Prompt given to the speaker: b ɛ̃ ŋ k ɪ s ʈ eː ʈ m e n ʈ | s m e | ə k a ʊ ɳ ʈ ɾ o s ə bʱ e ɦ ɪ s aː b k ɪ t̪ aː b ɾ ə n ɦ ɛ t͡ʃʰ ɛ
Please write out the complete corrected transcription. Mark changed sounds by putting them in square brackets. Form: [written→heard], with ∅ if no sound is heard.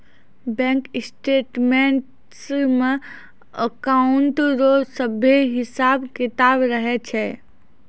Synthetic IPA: b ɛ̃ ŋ k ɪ s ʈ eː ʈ m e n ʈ | s m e | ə k a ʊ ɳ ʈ ɾ o s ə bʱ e ɦ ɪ s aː b k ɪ t̪ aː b ɾ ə [n→∅] ɦ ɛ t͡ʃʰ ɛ